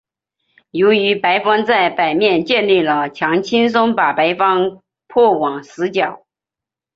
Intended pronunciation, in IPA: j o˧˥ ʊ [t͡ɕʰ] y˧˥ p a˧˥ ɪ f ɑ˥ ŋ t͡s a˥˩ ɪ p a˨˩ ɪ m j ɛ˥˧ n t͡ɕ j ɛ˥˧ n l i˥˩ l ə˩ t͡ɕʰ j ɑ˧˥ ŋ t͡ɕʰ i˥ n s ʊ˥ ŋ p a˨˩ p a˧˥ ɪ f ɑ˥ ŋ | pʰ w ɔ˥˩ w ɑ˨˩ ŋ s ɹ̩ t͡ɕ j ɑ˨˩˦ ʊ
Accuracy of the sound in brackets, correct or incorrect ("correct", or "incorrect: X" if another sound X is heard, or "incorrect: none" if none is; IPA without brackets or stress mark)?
incorrect: none